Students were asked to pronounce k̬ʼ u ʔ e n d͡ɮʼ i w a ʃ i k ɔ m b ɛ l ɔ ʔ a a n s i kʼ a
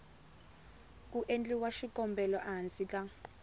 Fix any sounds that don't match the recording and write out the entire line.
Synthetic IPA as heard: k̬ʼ u ʔ e n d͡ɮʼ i w a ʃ i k ɔ m b ɛ l ɔ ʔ a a n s i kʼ a